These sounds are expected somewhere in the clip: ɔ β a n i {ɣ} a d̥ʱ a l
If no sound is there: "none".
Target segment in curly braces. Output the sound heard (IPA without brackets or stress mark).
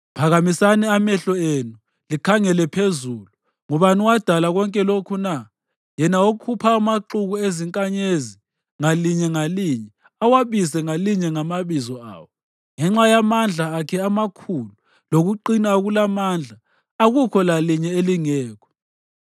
w